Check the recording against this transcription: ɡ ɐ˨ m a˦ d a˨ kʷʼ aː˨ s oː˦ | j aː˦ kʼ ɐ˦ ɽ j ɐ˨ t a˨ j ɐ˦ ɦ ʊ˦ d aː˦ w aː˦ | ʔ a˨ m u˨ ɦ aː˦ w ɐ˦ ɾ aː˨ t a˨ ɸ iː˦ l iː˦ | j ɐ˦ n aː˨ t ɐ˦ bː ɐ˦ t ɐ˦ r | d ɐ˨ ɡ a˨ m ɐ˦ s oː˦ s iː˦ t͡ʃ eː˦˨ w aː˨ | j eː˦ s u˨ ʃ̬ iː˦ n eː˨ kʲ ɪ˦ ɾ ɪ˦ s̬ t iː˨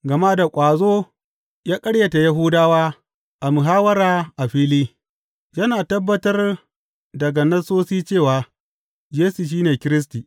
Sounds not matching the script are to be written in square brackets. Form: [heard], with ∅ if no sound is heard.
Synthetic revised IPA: ɡ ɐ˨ m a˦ d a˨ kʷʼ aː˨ [z] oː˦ | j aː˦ kʼ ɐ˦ ɽ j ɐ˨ t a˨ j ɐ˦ ɦ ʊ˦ d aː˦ w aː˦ | ʔ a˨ m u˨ ɦ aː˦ w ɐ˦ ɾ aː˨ [ʔ] a˨ ɸ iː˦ l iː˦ | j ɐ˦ n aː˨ t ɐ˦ bː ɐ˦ t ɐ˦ r | d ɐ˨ ɡ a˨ [n] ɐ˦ s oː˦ s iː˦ t͡ʃ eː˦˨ w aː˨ | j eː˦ s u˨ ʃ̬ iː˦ n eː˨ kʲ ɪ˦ ɾ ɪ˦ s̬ t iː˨

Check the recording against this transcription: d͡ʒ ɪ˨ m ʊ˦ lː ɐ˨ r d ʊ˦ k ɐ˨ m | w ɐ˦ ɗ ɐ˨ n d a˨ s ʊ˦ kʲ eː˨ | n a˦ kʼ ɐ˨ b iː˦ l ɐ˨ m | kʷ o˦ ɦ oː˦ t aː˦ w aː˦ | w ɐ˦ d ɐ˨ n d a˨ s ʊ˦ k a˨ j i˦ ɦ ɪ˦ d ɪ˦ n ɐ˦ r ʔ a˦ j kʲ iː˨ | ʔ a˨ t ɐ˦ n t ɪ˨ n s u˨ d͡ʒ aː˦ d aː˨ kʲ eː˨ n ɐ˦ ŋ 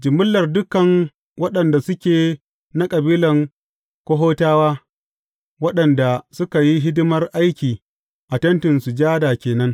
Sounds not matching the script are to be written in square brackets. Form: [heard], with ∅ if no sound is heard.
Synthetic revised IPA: d͡ʒ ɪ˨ m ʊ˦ lː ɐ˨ r d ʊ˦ k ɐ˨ [ŋ] | w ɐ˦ ɗ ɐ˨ n d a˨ s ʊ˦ kʲ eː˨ | n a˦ kʼ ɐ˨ b iː˦ l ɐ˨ [ŋ] | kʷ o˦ ɦ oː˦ t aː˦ w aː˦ | w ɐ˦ [ɗ] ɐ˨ n d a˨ s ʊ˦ k a˨ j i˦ ɦ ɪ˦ d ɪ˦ [m] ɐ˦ r ʔ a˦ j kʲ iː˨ | ʔ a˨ t ɐ˦ n t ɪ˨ n s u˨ d͡ʒ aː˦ d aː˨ kʲ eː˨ n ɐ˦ ŋ

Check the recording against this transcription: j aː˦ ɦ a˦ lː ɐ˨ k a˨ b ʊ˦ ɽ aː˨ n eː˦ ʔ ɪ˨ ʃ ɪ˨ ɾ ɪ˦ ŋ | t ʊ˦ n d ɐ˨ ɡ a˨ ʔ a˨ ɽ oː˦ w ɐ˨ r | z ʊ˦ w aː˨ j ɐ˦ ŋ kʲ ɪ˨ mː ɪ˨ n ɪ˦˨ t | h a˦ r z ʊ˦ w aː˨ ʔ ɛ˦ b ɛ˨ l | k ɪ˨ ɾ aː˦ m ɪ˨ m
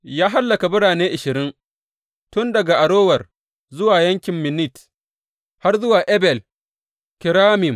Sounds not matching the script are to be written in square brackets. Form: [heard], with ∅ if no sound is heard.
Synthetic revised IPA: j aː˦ ɦ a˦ lː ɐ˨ k a˨ b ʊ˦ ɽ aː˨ n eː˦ ʔ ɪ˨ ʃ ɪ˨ ɾ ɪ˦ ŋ | t ʊ˦ n d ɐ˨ ɡ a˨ ʔ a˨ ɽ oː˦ w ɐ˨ r | z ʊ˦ w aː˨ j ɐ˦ ŋ kʲ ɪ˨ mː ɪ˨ n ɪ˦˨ t | h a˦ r z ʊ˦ w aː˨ ʔ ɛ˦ b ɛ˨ l | k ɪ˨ ɾ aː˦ m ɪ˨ m

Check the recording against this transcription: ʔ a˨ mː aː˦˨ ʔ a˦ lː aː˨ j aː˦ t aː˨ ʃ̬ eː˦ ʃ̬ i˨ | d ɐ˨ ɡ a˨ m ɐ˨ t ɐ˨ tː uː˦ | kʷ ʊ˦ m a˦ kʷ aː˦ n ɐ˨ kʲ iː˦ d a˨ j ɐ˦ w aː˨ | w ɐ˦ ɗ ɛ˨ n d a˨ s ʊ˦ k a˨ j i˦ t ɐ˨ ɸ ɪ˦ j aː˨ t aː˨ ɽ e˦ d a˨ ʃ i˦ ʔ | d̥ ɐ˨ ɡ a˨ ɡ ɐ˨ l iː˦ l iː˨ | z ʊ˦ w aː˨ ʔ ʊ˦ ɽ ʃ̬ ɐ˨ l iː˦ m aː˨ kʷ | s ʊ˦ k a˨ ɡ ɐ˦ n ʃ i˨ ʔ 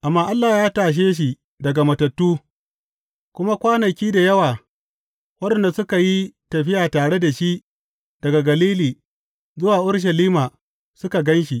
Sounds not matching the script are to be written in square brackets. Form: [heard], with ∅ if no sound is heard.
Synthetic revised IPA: ʔ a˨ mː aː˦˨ ʔ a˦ lː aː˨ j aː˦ t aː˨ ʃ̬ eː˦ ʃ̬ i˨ | d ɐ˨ ɡ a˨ m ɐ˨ t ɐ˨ tː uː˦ | kʷ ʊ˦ m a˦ kʷ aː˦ n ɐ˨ kʲ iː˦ d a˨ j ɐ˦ w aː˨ | w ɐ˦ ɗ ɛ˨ n d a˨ s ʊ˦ k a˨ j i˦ t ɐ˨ ɸ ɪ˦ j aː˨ t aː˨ ɽ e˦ d a˨ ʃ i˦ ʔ | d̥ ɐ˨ ɡ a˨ ɡ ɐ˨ l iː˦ l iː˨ | z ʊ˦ w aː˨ ʔ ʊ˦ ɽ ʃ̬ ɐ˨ l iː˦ m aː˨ [∅] | s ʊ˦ k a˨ ɡ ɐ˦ n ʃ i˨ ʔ

